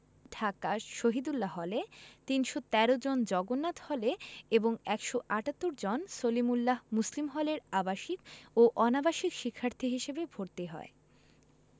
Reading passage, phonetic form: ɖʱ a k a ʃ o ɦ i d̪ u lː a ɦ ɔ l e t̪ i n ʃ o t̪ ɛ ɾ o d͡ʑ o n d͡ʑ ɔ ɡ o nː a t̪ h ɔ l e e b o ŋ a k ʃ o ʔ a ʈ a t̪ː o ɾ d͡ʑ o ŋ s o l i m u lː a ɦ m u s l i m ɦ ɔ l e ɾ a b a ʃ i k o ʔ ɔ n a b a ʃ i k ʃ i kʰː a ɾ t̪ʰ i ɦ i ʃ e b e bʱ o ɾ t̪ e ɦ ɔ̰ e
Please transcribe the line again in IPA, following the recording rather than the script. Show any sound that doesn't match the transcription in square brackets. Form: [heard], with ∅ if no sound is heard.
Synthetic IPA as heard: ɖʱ a k a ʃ o ɦ i d̪ u lː a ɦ ɔ l e t̪ i n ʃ o t̪ ɛ ɾ o d͡ʑ o n d͡ʑ ɔ ɡ o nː a t̪ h ɔ l e e b o ŋ [ɛ] k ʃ o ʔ a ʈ a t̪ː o ɾ d͡ʑ o [n] s o l i m u lː a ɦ m u s l i m ɦ ɔ l e ɾ a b a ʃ i k o ʔ ɔ n a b a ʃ i k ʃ i kʰː a ɾ t̪ʰ i ɦ i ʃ e b e bʱ o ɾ t̪ e ɦ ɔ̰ e